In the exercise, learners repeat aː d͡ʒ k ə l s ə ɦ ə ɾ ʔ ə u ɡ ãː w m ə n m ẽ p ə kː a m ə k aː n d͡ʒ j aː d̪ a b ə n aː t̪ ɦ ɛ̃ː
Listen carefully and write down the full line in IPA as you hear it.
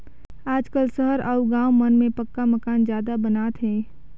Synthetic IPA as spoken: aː d͡ʒ k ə l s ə ɦ ə ɾ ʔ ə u ɡ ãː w m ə n m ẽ p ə kː a m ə k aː n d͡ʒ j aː d̪ a b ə n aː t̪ ɦ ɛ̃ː

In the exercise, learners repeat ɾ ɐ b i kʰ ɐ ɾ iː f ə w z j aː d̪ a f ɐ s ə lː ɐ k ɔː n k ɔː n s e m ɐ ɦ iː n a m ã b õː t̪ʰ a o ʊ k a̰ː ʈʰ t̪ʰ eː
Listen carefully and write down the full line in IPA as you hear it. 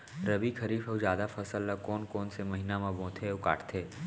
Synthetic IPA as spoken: ɾ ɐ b i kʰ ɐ ɾ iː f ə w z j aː d̪ a f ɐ s ə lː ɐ k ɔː n k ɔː n s e m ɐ ɦ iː n a m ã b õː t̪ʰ e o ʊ k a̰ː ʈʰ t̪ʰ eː

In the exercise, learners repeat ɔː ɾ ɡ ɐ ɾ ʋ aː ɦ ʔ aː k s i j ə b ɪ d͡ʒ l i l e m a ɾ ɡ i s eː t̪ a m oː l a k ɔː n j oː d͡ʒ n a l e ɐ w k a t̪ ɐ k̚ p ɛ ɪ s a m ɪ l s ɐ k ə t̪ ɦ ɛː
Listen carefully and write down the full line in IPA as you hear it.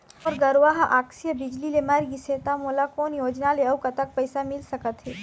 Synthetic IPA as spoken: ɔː ɾ ɡ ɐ ɾ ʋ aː ɦ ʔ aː k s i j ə b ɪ d͡ʒ l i l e m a ɾ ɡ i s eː t̪ a m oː l a k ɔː n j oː d͡ʒ n a l e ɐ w k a t̪ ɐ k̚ p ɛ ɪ s a m ɪ l s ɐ k ə t̪ ɦ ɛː

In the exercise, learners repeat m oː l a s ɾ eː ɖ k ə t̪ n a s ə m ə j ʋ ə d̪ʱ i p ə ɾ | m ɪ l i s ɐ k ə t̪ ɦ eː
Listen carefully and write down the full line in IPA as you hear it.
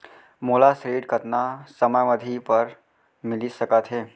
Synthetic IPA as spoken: m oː l a s ɾ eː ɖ k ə t̪ n a s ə m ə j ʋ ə d̪ʱ i p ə ɾ | m ɪ l i s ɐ k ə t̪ ɦ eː

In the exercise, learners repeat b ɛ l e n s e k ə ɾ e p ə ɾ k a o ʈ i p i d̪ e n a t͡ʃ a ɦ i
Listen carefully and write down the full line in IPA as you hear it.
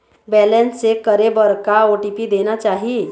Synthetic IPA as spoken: b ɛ l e n s e k ə ɾ e b ə ɾ k a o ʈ i p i d̪ e n a t͡ʃ a ɦ i

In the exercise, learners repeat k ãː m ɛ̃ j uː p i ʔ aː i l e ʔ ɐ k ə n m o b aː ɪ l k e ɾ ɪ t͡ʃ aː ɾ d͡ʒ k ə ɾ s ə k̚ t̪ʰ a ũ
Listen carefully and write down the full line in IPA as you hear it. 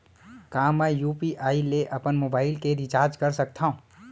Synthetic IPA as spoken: k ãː m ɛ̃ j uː p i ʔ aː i l e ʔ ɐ p ə n m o b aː ɪ l k e ɾ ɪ t͡ʃ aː ɾ d͡ʒ k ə ɾ s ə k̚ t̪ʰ a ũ

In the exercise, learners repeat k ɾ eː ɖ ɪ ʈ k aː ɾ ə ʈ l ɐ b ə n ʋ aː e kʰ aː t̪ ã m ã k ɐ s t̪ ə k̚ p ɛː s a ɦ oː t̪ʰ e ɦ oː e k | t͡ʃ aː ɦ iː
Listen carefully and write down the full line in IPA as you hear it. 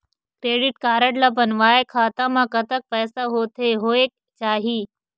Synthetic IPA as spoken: k ɾ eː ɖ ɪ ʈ k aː ɾ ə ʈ l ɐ b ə n ʋ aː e kʰ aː t̪ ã m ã k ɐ t̪ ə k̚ p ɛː s a ɦ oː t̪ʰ e ɦ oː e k | t͡ʃ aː ɦ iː

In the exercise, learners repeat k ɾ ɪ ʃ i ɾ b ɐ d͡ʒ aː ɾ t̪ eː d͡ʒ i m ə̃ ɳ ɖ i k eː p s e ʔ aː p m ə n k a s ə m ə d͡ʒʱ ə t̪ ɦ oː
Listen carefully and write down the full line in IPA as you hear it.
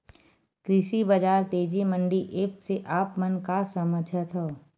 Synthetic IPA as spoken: k ɾ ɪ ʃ i b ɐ d͡ʒ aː ɾ t̪ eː d͡ʒ i m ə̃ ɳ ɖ i ʔ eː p s e ʔ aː p m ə n k a s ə m ə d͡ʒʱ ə t̪ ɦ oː

